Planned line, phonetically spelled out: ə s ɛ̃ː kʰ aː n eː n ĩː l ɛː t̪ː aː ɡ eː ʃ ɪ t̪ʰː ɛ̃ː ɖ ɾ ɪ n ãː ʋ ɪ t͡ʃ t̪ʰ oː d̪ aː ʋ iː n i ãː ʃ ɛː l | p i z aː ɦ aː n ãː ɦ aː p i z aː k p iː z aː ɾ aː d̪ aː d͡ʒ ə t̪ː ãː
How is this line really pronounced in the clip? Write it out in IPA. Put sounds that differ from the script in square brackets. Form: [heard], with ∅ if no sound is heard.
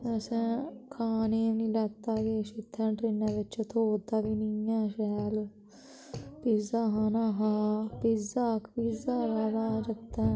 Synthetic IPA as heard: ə s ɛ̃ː kʰ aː n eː n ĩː l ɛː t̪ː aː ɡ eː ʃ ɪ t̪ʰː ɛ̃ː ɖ ɾ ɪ n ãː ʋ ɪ t͡ʃ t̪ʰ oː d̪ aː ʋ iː n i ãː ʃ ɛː l | p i z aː ɦ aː n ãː ɦ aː p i z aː k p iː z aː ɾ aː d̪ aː d͡ʒ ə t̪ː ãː